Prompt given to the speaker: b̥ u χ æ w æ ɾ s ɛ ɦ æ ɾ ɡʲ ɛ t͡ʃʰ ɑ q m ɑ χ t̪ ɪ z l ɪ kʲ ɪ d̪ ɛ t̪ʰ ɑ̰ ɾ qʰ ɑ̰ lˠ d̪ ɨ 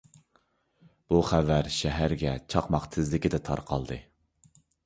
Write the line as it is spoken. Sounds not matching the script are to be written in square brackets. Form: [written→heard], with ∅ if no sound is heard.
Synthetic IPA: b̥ u χ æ [w→v] æ ɾ [s→ʃ] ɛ ɦ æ ɾ ɡʲ ɛ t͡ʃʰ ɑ q m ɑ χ [t̪→t̪ʰ] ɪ z l ɪ kʲ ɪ d̪ ɛ t̪ʰ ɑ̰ ɾ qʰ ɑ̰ lˠ d̪ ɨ